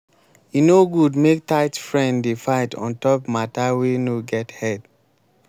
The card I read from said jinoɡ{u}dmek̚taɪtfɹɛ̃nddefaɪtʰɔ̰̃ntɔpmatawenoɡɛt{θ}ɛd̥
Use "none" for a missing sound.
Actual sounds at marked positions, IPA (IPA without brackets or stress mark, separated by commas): u, h